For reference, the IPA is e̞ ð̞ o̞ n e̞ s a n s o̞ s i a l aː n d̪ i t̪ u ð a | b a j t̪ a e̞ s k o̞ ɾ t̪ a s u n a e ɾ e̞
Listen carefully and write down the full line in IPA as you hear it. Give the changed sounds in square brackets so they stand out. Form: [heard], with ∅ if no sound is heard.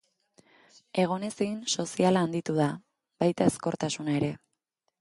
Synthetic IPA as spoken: e̞ [ɣ̞] o̞ n e̞ s [i] n s o̞ s i a l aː n d̪ i t̪ u ð a | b a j t̪ a e̞ s k o̞ ɾ t̪ a s u n a e ɾ e̞